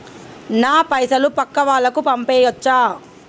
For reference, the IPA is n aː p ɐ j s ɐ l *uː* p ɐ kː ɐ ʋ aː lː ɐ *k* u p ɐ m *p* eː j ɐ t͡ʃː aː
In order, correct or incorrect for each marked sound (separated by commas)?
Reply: incorrect, correct, correct